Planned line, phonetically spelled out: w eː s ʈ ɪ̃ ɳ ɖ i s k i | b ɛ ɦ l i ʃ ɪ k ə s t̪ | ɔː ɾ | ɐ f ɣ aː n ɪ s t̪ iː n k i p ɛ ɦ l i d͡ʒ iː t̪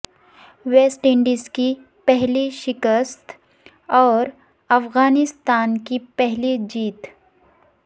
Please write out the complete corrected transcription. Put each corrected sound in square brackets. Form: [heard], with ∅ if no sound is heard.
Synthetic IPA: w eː s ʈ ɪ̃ ɳ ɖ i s k i | [p] ɛ ɦ l i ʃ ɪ k ə s t̪ | ɔː ɾ | ɐ f ɣ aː n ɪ s t̪ [aː] n k i p ɛ ɦ l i d͡ʒ iː t̪